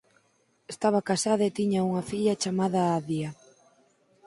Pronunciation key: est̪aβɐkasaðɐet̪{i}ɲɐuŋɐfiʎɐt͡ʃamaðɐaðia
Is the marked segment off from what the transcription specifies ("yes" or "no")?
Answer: no